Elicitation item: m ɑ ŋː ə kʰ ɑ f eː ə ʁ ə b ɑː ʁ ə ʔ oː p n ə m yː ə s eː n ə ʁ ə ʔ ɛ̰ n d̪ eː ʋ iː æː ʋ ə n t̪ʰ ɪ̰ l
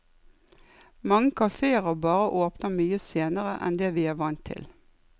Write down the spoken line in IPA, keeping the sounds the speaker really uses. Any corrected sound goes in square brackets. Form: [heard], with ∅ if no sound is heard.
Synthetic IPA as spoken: m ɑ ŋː ə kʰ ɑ f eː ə ʁ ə b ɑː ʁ ə ʔ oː p n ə m yː ə s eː n ə ʁ ə ʔ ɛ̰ n d̪ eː ʋ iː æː ʋ [ɑ] n t̪ʰ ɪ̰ l